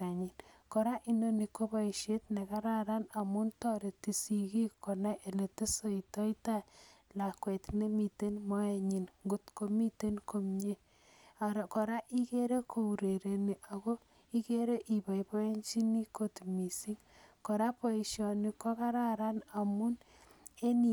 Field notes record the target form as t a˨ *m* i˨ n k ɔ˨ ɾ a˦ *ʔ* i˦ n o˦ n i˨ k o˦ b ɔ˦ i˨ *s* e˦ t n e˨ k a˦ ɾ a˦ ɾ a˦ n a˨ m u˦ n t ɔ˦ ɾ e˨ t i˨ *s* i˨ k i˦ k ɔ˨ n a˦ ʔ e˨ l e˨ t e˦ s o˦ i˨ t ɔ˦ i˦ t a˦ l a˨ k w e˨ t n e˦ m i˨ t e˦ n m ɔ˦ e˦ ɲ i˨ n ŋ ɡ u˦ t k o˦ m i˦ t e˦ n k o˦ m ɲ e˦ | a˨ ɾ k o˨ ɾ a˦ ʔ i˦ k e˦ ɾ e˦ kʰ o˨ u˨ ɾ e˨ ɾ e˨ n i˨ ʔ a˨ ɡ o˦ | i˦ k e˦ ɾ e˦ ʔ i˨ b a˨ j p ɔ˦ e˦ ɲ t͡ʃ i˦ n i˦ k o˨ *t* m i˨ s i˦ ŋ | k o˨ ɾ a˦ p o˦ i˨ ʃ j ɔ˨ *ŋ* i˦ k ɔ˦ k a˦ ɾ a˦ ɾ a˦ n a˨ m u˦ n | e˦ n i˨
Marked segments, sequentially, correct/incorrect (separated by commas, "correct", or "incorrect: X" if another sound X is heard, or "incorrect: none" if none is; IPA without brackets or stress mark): incorrect: ɲ, correct, incorrect: ʃ, correct, correct, incorrect: n